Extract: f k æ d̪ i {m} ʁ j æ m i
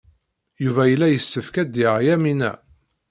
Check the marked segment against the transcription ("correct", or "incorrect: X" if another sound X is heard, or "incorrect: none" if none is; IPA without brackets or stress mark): incorrect: none